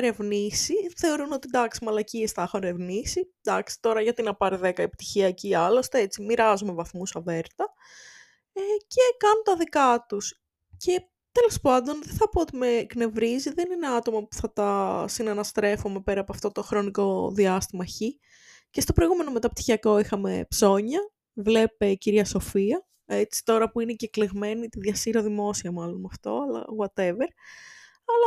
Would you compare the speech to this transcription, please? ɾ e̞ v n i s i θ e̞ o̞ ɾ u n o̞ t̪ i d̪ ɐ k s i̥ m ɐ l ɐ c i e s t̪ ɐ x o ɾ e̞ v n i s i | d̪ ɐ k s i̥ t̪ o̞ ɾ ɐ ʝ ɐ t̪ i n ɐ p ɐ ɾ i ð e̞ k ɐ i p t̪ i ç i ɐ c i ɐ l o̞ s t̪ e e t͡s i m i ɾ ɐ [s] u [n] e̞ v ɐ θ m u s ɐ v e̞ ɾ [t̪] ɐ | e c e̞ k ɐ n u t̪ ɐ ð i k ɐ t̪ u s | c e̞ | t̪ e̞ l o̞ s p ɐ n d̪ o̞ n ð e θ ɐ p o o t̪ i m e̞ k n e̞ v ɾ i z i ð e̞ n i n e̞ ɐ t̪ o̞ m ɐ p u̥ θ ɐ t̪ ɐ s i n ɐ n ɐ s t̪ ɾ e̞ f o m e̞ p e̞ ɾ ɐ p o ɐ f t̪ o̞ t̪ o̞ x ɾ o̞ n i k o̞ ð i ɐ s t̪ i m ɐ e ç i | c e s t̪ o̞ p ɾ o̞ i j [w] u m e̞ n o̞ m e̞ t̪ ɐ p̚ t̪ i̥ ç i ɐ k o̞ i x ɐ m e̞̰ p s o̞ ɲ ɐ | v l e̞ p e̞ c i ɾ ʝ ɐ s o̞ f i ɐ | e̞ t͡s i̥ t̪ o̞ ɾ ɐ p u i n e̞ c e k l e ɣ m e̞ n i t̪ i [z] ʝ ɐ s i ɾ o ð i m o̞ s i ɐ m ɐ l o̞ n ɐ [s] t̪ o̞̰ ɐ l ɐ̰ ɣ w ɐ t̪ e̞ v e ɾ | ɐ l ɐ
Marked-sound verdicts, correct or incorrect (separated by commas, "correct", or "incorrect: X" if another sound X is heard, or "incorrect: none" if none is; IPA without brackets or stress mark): incorrect: z, incorrect: m, correct, incorrect: ɣ, incorrect: ð, incorrect: f